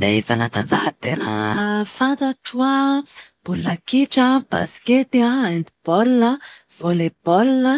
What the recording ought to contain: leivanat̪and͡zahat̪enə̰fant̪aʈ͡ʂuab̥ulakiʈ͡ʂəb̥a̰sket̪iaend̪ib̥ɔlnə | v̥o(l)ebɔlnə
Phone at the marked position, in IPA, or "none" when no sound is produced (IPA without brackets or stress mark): l